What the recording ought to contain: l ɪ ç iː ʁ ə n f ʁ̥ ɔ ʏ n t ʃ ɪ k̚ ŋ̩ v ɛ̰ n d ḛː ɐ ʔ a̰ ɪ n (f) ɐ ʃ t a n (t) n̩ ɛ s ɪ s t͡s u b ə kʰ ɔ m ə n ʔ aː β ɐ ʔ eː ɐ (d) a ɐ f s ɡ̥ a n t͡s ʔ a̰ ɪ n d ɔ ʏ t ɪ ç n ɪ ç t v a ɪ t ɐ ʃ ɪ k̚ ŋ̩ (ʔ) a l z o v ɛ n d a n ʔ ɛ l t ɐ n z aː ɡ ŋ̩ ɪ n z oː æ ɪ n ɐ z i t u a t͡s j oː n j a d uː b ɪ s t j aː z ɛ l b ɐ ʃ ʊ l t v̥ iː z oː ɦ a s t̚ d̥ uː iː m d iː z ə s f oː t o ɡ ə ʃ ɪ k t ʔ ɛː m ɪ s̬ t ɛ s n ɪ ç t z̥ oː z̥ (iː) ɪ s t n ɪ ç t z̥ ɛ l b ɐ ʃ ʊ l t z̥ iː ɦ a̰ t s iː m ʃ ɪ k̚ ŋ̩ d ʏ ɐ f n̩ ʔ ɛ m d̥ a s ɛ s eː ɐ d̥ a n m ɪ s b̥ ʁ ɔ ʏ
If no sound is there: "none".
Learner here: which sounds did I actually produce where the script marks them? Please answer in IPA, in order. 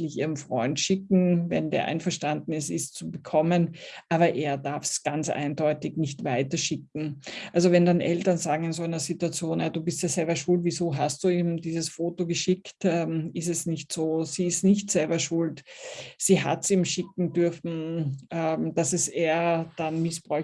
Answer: f, d, d, ʔ, iː

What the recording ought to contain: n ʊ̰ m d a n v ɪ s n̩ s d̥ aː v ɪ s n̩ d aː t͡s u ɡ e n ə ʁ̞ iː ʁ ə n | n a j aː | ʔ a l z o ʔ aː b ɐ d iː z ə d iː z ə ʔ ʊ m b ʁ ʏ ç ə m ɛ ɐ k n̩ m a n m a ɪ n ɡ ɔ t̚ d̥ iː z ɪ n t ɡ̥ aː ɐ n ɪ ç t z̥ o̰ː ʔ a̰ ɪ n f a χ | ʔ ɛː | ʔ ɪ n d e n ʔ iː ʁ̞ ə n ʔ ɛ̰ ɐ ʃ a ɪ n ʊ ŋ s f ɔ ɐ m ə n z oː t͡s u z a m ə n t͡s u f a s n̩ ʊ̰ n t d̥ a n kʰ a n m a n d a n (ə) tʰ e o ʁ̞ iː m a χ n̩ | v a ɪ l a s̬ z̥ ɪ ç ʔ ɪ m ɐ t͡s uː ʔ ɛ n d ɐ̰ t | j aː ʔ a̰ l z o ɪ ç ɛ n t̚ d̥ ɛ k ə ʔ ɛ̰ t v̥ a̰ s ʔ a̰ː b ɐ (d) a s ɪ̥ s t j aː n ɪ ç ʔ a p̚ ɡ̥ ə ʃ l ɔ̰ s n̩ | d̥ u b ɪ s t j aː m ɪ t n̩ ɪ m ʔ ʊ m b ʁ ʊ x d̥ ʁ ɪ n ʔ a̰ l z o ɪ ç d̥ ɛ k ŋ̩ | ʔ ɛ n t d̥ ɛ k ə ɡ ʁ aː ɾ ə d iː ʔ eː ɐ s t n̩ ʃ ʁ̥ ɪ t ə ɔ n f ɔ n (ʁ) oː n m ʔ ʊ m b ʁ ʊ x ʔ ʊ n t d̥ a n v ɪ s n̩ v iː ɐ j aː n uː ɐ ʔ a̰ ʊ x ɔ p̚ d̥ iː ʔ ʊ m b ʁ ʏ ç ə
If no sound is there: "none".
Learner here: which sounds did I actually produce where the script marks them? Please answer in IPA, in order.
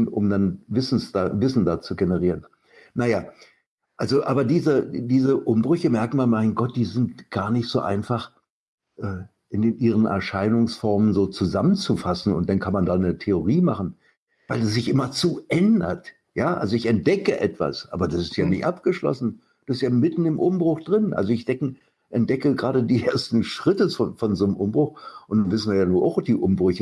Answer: ə, d, z

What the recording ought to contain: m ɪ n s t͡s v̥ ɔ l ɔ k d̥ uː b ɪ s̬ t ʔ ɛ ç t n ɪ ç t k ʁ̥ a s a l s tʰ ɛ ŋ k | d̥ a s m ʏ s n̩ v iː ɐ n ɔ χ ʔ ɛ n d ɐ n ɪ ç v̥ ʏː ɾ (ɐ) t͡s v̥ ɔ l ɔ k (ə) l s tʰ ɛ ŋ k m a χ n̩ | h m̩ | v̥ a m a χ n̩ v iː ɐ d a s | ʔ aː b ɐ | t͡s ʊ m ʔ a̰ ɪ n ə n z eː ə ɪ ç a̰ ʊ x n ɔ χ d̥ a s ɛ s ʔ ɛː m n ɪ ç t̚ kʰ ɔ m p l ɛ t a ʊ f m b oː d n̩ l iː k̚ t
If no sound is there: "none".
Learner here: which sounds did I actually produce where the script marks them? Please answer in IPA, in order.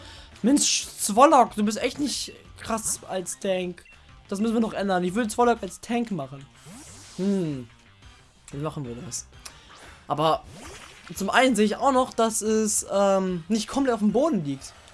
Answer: ə, a

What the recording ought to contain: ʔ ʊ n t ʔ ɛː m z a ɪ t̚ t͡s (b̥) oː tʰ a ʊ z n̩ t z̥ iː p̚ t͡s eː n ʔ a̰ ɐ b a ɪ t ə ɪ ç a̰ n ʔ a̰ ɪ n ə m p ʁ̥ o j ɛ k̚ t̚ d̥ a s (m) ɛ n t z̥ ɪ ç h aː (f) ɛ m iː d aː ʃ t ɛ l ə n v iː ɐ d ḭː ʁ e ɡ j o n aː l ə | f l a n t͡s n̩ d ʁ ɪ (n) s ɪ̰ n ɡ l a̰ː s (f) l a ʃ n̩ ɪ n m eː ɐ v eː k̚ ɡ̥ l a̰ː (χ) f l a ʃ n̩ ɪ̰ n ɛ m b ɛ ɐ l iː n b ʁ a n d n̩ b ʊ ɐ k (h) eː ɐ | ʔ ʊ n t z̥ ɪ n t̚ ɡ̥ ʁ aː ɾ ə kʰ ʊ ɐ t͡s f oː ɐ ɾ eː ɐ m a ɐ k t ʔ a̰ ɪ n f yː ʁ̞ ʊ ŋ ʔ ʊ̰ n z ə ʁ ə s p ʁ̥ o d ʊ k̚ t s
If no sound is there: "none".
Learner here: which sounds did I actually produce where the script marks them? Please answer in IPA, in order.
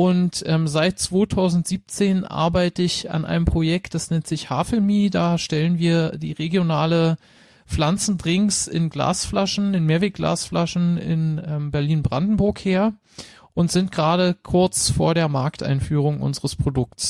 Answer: v̥, n, f, ŋ, f, s, h

